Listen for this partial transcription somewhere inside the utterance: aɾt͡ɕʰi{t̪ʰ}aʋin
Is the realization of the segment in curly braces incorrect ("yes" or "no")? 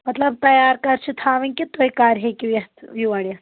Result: no